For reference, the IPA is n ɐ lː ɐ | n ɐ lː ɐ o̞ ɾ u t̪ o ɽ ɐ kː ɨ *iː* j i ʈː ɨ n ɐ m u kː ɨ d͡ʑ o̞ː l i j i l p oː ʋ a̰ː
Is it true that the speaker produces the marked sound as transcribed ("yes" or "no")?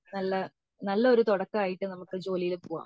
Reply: no